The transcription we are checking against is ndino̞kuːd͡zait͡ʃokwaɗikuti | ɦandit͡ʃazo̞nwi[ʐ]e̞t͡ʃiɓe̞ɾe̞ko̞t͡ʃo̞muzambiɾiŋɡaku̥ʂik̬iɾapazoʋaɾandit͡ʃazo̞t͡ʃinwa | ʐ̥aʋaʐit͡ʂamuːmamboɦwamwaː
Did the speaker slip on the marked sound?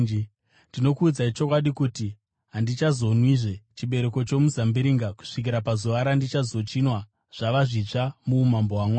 no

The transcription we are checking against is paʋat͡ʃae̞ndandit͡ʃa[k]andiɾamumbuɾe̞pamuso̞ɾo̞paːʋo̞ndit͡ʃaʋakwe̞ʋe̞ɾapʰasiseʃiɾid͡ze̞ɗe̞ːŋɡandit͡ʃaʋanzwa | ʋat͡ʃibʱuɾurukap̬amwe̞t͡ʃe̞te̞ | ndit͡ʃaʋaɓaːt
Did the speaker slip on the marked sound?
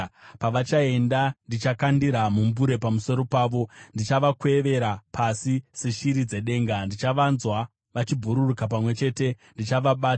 no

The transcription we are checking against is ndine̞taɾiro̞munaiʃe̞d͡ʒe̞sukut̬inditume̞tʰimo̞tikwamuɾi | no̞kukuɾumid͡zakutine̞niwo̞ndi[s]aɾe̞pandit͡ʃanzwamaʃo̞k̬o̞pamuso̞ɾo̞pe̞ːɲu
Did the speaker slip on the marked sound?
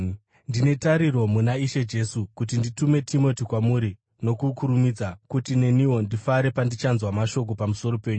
yes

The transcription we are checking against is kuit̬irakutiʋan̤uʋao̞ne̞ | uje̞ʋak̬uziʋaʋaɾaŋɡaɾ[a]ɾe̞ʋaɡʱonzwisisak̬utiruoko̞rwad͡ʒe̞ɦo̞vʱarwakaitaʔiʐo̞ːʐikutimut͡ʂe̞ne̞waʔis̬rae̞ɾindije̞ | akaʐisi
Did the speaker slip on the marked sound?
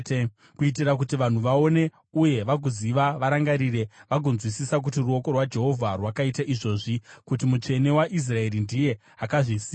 yes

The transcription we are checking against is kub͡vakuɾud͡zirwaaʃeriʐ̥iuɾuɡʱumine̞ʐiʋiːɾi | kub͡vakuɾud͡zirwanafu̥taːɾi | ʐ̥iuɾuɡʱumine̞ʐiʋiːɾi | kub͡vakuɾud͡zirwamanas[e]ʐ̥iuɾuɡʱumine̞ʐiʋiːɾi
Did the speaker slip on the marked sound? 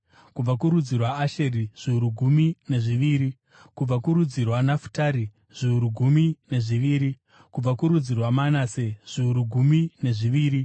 no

